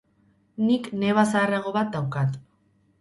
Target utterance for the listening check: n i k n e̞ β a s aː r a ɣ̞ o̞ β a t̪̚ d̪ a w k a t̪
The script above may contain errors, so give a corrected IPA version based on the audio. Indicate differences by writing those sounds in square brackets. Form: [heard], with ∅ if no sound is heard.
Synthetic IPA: n i k n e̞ β a s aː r a ɣ̞ o̞ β a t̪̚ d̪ a w k a t̪